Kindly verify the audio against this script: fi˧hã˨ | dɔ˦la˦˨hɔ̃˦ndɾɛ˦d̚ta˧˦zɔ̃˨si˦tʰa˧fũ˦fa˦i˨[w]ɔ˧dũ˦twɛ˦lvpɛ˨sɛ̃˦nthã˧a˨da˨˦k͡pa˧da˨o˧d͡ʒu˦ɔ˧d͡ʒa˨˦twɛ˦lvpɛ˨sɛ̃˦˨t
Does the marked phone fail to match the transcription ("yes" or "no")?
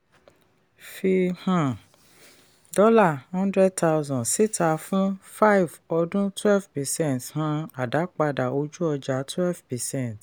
yes